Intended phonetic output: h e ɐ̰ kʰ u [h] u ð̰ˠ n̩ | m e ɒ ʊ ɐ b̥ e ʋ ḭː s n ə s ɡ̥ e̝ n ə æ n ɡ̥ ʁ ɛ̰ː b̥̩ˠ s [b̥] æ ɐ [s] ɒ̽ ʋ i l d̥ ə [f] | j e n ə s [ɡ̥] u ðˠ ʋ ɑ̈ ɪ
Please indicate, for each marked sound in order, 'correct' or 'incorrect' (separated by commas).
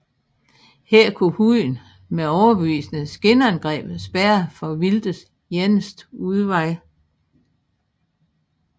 correct, correct, incorrect, incorrect, incorrect